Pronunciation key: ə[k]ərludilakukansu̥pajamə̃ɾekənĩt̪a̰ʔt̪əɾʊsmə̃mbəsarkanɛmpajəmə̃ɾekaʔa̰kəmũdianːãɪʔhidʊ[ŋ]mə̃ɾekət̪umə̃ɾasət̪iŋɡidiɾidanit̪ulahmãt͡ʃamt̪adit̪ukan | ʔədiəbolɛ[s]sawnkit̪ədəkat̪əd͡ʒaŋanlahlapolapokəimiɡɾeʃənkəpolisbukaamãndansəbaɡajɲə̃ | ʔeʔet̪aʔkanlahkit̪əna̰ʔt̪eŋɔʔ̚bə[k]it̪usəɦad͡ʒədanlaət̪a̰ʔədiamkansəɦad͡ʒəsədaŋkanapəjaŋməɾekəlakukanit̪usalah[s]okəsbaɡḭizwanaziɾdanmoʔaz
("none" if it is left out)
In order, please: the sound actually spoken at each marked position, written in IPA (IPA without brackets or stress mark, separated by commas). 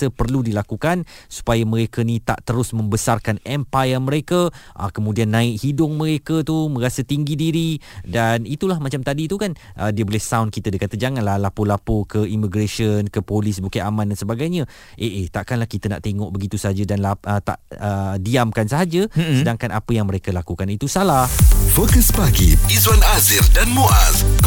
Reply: p, ŋ, h, ɡ, f